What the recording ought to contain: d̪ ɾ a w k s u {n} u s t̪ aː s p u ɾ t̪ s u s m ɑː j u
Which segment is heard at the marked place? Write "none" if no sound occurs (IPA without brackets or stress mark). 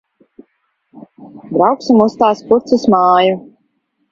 m